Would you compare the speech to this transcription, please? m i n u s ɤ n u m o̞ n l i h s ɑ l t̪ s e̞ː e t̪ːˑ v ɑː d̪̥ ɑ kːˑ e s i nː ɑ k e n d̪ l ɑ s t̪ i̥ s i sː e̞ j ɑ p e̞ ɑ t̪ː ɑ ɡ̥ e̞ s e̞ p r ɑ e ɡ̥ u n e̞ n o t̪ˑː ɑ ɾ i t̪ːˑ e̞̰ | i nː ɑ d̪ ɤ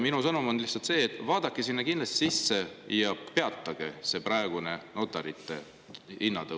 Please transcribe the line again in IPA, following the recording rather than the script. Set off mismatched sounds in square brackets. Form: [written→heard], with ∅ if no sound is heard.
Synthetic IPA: m i n u s ɤ n u m o̞ n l i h s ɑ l t̪ s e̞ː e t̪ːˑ v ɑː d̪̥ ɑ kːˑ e s i nː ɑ k [e→i] n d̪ l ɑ s t̪ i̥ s i sː e̞ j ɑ p e̞ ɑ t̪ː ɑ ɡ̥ e̞ s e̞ p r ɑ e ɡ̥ u n e̞ n o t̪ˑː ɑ ɾ i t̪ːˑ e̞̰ | i nː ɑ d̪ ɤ

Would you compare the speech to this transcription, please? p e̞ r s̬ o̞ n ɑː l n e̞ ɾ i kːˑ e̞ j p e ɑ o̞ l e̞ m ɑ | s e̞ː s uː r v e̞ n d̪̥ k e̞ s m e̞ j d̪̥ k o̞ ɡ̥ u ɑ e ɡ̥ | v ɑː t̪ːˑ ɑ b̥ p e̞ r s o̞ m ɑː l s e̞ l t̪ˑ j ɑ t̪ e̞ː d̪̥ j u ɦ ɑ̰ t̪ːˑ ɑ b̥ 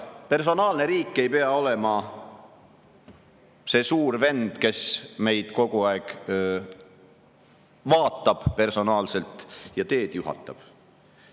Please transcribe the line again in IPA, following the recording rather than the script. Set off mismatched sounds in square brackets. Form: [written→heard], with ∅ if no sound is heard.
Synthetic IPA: p e̞ r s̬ o̞ n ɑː l n e̞ ɾ [i→iː] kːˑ e̞ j p e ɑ o̞ l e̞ m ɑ | s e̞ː s uː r v e̞ n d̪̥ k e̞ s m e̞ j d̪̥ k o̞ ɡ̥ u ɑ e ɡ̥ | v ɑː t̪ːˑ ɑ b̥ p e̞ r s o̞ [m→n] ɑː l s e̞ l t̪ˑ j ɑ t̪ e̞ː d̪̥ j u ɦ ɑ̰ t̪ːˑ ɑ b̥

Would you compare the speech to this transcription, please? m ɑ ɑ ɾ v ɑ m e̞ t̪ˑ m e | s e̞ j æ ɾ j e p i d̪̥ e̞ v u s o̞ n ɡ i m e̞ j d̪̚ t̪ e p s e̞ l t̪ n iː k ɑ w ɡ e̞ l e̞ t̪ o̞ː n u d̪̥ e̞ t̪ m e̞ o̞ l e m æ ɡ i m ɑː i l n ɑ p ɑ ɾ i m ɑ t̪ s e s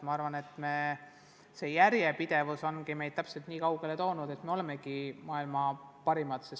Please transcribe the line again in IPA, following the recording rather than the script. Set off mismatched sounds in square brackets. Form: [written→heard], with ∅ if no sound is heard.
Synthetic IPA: m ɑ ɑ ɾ v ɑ [m→n] e̞ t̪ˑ m e | s e̞ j æ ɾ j e p i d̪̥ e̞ v u s o̞ n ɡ i m e̞ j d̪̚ t̪ [e→æ] p s e̞ l t̪ n iː k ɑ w ɡ e̞ l e̞ t̪ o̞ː n u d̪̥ e̞ t̪ m e̞ o̞ l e m [æ→e] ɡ i m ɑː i l [n→m] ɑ p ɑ ɾ i m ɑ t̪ s e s

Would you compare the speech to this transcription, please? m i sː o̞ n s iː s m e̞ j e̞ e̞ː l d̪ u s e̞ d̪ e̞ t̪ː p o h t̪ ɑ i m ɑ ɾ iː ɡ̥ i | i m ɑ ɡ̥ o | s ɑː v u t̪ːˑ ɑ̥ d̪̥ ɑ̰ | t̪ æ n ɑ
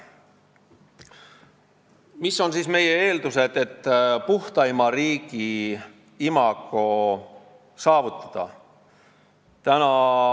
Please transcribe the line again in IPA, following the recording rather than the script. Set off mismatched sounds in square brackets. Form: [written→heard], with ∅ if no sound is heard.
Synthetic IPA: m i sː o̞ n s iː s m e̞ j e̞ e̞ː l d̪ u s e̞ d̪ e̞ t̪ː p [o→u] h t̪ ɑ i m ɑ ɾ iː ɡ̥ i | i m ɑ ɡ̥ o | s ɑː v u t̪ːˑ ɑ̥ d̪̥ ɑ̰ | t̪ æ n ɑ

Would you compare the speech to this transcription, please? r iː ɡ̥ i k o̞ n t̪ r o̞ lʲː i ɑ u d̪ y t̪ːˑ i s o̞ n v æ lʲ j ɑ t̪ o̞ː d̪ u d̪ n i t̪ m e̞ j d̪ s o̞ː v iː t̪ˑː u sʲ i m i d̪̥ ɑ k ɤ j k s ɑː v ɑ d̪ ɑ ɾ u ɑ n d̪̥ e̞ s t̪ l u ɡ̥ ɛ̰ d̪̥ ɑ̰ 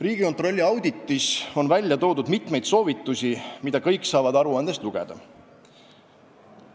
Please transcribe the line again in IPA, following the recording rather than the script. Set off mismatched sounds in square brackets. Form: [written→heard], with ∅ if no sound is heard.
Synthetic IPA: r iː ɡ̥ i k o̞ n t̪ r o̞ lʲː i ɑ [u→w] d̪ [y→i] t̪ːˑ i s o̞ n v æ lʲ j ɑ t̪ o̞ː d̪ u d̪ [n→m] i t̪ m e̞ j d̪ s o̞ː v [iː→i] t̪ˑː u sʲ i m i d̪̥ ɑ k ɤ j k s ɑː v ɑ d̪ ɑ ɾ u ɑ n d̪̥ e̞ s t̪ l u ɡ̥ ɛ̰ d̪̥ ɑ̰

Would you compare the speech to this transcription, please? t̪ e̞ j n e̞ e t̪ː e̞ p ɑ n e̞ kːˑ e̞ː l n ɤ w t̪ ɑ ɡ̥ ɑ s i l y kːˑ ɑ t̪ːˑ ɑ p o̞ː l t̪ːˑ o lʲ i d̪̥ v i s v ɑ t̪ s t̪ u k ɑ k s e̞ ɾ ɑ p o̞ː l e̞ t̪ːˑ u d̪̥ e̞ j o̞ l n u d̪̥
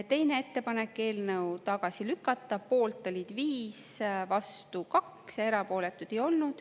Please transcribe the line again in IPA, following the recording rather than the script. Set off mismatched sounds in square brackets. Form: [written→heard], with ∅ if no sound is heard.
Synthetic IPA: t̪ e̞ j n e̞ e t̪ː e̞ p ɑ n e̞ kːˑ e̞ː l n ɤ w t̪ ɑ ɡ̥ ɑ s i l y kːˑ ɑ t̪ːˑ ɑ p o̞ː l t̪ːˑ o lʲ i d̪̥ v [i→iː] s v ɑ [t̪→∅] s t̪ u k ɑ k s e̞ ɾ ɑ p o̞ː l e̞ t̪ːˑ u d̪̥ e̞ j o̞ l n u d̪̥

